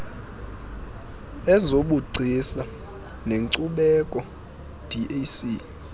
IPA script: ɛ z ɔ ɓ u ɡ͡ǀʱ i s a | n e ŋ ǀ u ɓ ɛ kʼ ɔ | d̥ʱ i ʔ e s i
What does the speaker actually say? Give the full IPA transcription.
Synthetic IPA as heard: ɛ z o ɓ u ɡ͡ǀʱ i s a | n e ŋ ǀ u ɓ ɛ kʼ ɔ | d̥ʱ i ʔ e s i